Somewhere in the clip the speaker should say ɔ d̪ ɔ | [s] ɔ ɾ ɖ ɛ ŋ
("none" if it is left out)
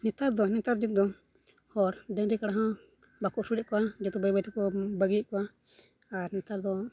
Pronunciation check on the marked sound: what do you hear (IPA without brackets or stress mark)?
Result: h